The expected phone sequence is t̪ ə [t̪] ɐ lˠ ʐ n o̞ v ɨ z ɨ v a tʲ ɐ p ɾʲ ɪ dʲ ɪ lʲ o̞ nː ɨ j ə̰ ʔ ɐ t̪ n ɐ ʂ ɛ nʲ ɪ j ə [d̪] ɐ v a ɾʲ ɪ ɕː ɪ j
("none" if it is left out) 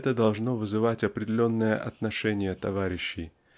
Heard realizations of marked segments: d̪, t̪

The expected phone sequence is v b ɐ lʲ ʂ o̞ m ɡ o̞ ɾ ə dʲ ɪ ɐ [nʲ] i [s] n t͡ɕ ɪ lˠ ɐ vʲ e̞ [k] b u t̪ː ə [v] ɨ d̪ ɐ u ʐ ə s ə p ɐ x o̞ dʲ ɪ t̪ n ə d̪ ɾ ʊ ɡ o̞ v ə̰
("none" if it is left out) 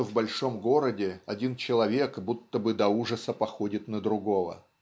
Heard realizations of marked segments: dʲ, none, k, b

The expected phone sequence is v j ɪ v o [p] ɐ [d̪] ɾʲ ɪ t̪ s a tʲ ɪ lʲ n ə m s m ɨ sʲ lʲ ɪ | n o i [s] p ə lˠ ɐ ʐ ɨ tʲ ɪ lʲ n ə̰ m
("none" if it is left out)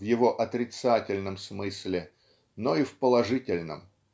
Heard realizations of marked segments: ʔ, t̪, f

